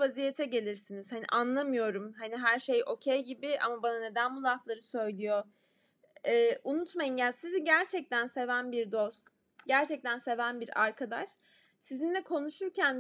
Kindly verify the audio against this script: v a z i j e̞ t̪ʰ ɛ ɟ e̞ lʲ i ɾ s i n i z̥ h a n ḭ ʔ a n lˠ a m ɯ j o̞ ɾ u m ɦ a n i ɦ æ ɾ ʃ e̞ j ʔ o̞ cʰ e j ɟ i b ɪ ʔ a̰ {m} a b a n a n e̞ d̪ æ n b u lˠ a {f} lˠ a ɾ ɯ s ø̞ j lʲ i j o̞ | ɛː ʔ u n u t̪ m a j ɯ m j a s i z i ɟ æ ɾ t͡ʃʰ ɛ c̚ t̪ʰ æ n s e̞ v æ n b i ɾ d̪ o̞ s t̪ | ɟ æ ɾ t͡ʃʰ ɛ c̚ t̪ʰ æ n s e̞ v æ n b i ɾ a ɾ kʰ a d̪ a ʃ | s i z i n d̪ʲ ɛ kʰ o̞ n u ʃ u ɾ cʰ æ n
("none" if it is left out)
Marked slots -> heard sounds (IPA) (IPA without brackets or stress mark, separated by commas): m, f